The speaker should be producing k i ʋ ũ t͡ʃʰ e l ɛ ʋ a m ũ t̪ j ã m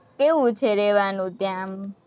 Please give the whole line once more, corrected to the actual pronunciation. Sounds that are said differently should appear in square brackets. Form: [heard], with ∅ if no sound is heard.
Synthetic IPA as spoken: k [e] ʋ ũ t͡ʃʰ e [ɾ] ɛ ʋ a [n] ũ t̪ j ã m